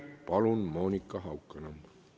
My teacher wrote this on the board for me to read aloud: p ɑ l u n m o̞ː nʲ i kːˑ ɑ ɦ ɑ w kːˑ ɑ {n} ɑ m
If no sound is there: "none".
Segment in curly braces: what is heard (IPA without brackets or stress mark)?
n